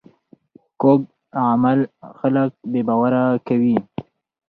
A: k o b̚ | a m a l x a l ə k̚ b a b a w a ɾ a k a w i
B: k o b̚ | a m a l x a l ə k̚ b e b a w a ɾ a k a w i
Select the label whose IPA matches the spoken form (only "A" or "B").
B